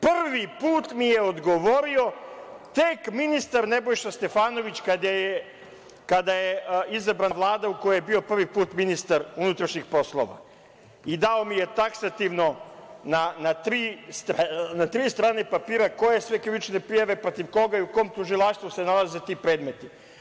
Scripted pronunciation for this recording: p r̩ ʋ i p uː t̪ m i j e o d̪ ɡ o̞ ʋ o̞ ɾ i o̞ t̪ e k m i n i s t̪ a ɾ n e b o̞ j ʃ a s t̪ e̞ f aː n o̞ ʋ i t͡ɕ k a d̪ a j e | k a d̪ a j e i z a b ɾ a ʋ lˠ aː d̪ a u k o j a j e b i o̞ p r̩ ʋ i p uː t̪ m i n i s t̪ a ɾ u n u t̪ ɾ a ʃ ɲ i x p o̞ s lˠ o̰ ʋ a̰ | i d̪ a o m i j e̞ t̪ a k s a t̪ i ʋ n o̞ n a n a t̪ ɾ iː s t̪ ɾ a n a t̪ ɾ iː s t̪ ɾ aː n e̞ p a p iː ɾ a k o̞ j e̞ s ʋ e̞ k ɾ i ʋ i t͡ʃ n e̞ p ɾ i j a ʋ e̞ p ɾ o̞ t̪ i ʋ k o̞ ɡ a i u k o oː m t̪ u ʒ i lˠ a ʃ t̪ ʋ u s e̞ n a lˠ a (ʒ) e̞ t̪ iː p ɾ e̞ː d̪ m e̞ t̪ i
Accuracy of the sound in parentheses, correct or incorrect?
incorrect: z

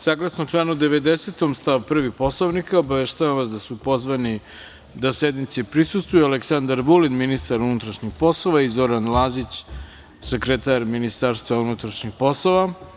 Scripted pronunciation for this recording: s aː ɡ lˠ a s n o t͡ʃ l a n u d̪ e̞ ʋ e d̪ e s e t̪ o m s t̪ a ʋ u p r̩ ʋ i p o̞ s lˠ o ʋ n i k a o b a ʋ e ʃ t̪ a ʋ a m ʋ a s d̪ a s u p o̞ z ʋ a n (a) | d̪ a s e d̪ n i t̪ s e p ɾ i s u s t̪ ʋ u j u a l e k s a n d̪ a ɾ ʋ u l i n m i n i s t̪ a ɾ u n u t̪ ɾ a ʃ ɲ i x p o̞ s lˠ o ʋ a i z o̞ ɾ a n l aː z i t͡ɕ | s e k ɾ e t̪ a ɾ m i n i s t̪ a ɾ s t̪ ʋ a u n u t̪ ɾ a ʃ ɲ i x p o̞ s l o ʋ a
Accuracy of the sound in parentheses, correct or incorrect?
incorrect: i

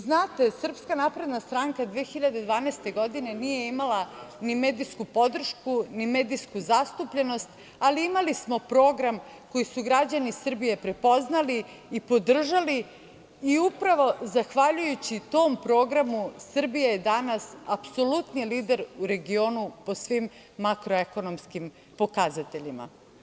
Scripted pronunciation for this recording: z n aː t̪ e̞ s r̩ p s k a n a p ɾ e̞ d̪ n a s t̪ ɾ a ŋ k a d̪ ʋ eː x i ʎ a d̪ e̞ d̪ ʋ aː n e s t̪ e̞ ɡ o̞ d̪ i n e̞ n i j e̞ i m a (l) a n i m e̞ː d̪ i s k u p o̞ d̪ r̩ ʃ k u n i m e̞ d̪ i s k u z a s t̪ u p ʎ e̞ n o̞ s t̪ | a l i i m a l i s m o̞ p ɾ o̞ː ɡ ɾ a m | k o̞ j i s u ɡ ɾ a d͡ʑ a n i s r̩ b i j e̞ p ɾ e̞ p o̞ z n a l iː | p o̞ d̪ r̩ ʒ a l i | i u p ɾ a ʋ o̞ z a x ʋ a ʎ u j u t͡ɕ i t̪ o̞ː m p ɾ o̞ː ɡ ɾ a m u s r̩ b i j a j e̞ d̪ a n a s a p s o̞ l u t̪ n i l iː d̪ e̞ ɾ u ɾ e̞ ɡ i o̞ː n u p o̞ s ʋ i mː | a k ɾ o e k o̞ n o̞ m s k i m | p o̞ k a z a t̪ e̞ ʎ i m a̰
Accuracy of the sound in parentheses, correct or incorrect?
correct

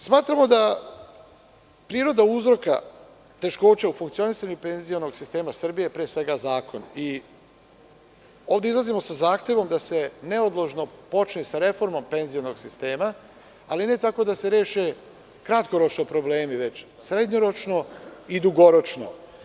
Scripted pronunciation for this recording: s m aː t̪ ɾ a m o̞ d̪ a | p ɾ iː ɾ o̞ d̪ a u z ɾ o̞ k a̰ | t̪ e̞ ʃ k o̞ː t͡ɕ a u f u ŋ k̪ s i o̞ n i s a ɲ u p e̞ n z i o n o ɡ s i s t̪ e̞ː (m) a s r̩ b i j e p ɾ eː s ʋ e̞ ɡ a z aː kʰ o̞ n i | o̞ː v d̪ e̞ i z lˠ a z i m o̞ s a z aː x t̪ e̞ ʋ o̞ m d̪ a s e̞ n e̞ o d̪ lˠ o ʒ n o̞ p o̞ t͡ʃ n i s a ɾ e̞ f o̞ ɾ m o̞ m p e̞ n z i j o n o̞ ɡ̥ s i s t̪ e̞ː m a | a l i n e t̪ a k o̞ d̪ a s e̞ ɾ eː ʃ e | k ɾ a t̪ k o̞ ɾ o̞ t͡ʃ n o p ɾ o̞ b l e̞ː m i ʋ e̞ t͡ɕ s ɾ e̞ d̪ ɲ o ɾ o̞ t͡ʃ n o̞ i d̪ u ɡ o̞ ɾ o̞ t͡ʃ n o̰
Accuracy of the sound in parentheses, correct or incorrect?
correct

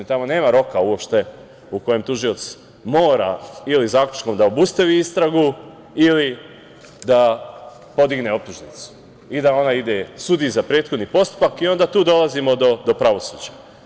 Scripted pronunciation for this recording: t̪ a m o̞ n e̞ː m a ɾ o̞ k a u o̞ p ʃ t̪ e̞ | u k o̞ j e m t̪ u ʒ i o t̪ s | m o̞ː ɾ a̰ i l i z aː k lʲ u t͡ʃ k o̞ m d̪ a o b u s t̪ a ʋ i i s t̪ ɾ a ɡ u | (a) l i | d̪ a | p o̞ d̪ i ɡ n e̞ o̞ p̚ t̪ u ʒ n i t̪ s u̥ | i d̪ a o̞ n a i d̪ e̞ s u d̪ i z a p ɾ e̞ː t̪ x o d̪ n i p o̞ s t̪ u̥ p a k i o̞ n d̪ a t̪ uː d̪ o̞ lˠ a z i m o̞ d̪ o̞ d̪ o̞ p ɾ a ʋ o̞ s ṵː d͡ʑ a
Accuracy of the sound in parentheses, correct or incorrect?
incorrect: i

